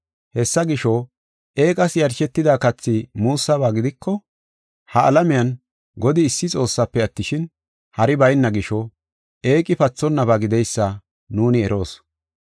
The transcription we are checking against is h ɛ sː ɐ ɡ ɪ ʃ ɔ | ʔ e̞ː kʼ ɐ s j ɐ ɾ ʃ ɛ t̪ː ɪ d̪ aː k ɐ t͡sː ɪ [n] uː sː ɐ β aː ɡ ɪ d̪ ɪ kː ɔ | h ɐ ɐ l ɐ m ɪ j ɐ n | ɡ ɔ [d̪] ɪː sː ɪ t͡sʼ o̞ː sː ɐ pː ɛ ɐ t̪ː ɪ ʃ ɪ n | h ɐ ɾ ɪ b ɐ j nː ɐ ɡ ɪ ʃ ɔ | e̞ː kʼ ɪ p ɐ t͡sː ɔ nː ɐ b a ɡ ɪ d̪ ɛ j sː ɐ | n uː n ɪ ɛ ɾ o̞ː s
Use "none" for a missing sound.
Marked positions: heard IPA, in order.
m, d̪

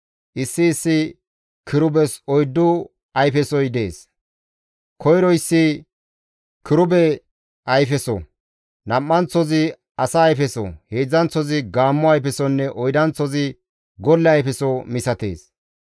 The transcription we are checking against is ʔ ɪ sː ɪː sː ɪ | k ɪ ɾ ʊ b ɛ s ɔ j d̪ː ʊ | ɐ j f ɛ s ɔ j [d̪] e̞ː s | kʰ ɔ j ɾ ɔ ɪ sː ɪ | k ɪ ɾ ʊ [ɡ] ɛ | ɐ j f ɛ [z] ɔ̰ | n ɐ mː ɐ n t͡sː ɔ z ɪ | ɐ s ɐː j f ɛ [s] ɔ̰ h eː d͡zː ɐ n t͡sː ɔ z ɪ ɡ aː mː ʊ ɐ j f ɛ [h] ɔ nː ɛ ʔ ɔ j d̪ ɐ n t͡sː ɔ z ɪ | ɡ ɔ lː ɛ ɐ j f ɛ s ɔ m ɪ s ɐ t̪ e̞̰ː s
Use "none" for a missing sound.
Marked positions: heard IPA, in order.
d̪, b, s, s, s

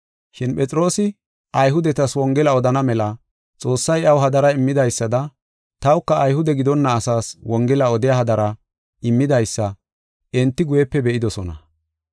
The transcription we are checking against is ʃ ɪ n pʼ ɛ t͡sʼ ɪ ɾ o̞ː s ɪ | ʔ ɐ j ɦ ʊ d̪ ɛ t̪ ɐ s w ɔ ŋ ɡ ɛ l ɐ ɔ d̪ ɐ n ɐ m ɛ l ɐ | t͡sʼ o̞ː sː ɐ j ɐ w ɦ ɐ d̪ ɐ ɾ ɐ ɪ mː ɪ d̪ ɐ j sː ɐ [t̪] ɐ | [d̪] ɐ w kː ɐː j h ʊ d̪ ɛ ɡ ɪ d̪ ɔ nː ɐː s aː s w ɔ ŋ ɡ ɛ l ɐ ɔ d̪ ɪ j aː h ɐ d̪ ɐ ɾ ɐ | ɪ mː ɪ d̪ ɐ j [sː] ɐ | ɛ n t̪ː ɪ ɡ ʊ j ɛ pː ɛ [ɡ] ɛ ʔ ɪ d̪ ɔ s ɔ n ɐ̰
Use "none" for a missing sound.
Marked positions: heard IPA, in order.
d̪, t̪, sː, b

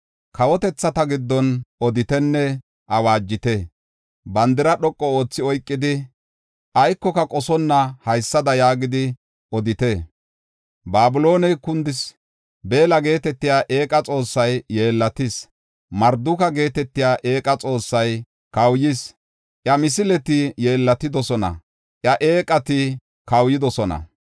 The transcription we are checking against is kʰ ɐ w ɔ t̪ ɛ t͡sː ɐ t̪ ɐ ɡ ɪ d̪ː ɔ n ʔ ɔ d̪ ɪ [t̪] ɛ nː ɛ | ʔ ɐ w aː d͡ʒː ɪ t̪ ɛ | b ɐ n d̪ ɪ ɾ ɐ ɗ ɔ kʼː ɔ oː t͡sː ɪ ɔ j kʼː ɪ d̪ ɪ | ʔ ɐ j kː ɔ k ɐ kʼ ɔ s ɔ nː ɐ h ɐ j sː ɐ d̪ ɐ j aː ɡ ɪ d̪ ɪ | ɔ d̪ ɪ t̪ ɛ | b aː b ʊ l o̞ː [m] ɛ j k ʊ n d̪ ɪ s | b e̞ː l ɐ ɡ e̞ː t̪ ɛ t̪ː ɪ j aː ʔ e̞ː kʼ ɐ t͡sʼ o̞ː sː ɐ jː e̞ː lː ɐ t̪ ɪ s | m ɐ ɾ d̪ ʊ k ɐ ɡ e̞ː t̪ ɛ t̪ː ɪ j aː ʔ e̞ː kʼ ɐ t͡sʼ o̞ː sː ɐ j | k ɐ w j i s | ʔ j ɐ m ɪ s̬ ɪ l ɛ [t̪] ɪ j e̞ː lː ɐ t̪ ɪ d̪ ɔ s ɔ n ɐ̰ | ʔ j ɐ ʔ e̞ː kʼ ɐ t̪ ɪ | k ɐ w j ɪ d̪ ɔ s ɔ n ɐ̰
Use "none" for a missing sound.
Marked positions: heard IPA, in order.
t̪, n, t̪

